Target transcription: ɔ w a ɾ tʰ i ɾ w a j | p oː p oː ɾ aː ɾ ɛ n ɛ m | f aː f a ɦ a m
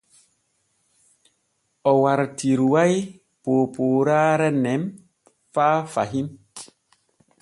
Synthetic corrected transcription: ɔ w a ɾ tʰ i ɾ w a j | p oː p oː ɾ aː ɾ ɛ n ɛ m | f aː f a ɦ i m